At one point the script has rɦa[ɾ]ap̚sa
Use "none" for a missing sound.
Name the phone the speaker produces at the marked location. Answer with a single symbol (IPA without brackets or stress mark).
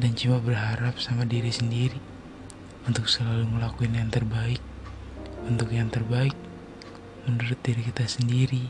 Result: ɾ